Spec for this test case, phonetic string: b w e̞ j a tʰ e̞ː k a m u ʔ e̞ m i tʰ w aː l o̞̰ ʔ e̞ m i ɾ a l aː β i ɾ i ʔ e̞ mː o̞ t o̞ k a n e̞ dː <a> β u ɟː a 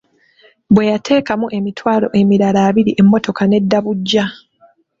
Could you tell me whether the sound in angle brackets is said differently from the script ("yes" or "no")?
no